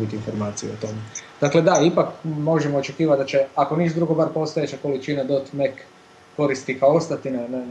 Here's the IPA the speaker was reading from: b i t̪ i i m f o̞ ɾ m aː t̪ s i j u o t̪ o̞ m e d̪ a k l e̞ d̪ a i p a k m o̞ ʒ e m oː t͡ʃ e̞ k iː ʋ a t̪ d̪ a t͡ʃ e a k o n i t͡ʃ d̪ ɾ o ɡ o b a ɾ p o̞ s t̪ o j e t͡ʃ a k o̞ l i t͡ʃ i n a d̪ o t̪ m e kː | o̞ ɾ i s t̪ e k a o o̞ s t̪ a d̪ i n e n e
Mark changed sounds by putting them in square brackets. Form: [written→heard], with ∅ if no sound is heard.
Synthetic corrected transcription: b i t̪ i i [m→n] f o̞ ɾ m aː t̪ s i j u o t̪ o̞ m e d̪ a k l e̞ d̪ a i p a k m o̞ ʒ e m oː t͡ʃ e̞ k iː ʋ a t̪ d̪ a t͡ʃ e a k o n i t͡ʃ d̪ ɾ [o→u] ɡ o b a ɾ p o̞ s t̪ o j e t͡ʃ a k o̞ l i t͡ʃ i n a d̪ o t̪ m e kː | o̞ ɾ i s t̪ [e→i] k a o o̞ s t̪ a [d̪→t̪] i n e n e